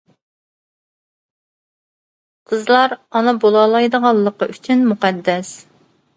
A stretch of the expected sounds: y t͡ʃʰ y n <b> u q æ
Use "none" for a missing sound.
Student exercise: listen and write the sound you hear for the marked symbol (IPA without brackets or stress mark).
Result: m